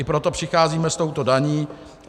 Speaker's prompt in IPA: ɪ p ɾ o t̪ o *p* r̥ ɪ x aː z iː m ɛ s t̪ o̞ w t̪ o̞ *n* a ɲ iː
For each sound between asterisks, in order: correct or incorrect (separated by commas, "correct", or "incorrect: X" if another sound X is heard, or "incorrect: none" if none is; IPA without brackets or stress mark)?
correct, incorrect: d